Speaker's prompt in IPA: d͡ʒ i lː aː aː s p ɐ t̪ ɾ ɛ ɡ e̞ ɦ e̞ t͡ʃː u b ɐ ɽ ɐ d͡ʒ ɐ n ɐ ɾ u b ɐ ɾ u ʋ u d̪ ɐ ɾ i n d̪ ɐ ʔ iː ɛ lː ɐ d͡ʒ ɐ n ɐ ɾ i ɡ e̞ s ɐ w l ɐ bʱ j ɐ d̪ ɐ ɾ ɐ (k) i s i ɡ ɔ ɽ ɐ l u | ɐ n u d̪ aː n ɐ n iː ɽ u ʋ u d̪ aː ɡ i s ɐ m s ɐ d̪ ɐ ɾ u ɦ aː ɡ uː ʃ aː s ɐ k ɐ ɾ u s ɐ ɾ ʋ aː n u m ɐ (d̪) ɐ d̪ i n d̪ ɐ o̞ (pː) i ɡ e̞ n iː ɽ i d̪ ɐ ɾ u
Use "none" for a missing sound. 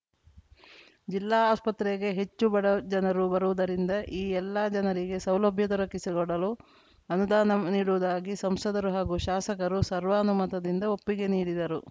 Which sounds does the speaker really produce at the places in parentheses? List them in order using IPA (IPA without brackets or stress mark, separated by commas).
k, t̪, pː